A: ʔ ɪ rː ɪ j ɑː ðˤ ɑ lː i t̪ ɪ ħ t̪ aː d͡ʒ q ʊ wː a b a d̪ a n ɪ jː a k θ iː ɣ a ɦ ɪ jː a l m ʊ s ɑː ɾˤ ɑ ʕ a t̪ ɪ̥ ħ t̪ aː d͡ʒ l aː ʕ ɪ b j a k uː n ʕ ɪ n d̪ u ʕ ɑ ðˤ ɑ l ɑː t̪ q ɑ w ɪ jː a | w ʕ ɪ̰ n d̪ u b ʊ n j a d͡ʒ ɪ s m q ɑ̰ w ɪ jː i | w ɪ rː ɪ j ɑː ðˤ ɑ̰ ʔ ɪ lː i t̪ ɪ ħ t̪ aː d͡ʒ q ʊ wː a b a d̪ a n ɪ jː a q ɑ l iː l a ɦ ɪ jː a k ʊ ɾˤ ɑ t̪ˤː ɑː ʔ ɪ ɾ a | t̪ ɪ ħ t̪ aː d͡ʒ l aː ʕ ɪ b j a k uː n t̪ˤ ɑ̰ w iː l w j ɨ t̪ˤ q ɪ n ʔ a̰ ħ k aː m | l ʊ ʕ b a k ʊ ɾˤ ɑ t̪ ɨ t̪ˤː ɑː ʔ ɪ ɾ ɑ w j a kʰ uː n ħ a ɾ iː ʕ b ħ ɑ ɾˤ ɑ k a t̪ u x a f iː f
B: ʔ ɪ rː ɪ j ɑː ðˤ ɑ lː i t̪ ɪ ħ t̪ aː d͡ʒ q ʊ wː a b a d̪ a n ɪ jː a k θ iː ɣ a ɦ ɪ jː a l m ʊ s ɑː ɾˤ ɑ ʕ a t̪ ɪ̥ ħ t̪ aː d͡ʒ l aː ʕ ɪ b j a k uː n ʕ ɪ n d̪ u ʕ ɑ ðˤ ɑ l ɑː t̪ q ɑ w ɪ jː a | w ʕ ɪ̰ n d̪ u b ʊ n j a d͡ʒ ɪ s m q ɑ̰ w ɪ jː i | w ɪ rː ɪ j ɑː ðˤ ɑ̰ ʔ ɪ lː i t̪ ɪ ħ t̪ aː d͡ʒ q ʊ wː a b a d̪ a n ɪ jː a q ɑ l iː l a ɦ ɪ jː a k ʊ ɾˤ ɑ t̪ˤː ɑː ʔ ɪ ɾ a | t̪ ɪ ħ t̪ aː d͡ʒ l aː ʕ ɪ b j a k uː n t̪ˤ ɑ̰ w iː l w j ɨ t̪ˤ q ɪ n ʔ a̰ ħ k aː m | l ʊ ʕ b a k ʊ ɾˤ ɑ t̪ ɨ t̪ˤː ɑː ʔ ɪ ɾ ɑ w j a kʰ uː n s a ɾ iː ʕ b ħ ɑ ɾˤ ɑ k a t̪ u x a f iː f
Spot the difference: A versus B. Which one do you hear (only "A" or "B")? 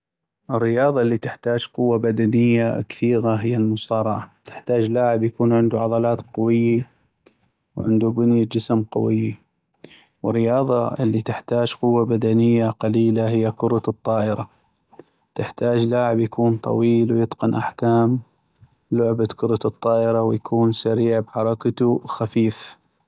B